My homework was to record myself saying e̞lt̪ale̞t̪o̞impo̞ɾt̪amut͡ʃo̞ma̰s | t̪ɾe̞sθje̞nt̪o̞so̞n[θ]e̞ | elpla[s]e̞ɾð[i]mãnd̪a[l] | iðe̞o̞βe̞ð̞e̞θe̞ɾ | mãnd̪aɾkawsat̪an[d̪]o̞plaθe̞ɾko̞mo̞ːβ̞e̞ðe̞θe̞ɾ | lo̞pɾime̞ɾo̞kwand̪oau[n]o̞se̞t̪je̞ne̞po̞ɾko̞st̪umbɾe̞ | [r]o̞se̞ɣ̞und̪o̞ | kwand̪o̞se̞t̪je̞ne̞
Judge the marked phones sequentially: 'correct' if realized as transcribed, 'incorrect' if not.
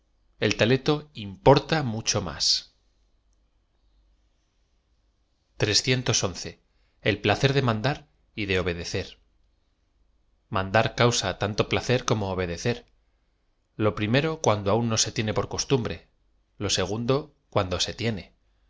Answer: correct, incorrect: θ, incorrect: e, incorrect: ɾ, incorrect: t̪, incorrect: nː, incorrect: l

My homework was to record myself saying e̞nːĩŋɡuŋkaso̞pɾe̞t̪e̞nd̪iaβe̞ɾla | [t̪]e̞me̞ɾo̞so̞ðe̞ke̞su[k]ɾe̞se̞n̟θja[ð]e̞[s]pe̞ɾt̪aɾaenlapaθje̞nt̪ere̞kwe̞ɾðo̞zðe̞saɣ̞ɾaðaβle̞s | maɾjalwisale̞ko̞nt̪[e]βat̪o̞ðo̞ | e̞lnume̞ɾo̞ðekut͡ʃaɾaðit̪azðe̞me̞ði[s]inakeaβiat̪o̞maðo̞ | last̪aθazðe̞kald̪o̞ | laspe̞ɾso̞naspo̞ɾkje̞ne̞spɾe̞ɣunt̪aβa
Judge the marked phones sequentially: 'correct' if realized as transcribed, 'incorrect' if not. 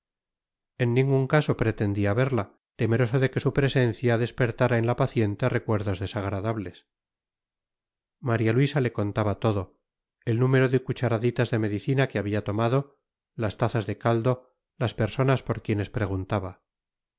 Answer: correct, incorrect: p, correct, correct, incorrect: a, incorrect: θ

